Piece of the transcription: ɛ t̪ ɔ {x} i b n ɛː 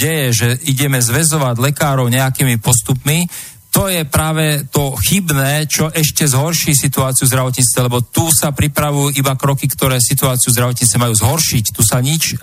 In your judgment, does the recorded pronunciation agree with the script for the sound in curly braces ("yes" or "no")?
yes